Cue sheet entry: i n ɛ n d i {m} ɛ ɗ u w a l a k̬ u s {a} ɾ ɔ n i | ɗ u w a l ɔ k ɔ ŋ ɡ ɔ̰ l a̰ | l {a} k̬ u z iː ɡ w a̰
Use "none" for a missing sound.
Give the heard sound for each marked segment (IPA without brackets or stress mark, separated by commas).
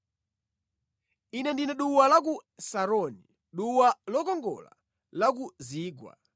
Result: n, a, a